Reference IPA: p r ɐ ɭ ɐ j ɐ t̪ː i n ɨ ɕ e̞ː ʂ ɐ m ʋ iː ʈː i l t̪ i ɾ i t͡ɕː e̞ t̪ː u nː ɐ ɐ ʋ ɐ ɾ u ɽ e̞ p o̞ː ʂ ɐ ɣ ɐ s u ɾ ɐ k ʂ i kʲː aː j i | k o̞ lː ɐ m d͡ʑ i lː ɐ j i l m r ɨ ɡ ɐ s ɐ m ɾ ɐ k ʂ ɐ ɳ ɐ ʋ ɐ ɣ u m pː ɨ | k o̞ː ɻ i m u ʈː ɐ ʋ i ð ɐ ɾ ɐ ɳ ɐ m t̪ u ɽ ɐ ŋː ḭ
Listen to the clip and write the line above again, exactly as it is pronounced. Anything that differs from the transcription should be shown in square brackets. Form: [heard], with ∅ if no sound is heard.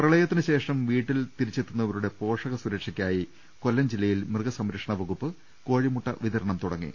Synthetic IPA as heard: p r ɐ ɭ ɐ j ɐ t̪ː i n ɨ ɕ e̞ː ʂ ɐ m ʋ iː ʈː i l t̪ i ɾ i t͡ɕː e̞ t̪ː u nː ɐ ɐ ʋ ɐ ɾ u ɽ e̞ p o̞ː ʂ ɐ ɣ ɐ s u ɾ ɐ k ʂ i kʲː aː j i | k o̞ lː ɐ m d͡ʑ i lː ɐ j i l m r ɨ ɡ ɐ s ɐ m ɾ ɐ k ʂ ɐ ɳ ɐ ʋ ɐ ɣ u [∅] pː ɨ | k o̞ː ɻ i m u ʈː ɐ ʋ i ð ɐ ɾ ɐ ɳ ɐ m t̪ u ɽ ɐ ŋː ḭ